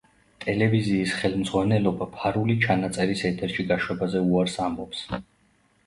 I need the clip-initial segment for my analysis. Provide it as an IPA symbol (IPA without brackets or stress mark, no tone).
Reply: t̪ʼ